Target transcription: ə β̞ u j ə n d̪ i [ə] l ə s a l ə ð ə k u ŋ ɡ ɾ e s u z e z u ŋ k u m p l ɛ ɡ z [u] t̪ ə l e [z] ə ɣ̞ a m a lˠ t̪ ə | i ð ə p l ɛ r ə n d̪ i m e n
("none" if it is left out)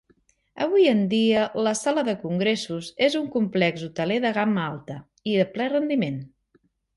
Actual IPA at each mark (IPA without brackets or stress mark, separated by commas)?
ə, u, ð